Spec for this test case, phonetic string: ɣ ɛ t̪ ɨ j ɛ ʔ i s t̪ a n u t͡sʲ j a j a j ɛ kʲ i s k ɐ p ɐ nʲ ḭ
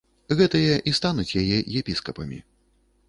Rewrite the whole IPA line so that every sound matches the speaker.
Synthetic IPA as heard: ɣ ɛ t̪ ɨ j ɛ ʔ i s t̪ a n u t͡sʲ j a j ɛ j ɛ pʲ i s k ɐ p ɐ mʲ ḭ